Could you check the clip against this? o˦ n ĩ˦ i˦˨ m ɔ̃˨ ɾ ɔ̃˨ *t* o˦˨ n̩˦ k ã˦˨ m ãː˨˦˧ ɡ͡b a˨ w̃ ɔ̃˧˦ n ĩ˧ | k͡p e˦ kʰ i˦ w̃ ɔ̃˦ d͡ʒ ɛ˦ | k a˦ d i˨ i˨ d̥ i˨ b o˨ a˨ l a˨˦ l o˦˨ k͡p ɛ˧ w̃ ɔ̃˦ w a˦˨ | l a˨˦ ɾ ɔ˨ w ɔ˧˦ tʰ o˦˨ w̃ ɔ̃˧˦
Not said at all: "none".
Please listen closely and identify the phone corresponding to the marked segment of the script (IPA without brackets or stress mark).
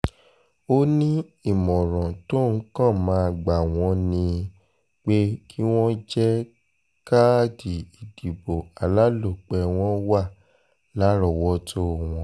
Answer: t